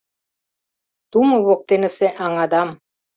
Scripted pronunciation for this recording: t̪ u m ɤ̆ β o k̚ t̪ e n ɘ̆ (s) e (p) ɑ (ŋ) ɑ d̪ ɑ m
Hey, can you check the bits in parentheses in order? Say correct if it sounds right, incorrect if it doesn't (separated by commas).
correct, incorrect, correct